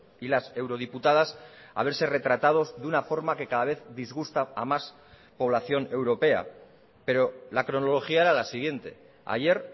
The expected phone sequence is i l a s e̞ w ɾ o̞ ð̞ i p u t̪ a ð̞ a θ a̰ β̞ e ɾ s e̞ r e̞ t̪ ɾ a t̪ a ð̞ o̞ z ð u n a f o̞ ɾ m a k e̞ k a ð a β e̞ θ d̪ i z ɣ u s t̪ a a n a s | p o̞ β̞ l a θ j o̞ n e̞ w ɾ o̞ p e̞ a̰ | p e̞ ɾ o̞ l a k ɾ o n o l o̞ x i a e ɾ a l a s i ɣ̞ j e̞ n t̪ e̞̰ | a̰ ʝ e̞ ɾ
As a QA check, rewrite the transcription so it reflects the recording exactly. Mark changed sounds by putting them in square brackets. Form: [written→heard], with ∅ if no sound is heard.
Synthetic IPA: i l a s e̞ w ɾ o̞ ð̞ i p u t̪ a ð̞ a [θ→s] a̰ β̞ e ɾ s e̞ r e̞ t̪ ɾ a t̪ a ð̞ o̞ z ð u n a f o̞ ɾ m a k e̞ k a ð a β e̞ θ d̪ i z ɣ u s t̪ a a [n→m] a s | p o̞ β̞ l a θ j o̞ n e̞ w ɾ o̞ p e̞ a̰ | p e̞ ɾ o̞ l a k ɾ o n o l o̞ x i a e ɾ a l a s i ɣ̞ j e̞ n t̪ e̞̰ | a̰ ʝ e̞ ɾ